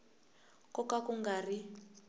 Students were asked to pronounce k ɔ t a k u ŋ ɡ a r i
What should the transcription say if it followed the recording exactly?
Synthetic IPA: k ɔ k a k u ŋ ɡ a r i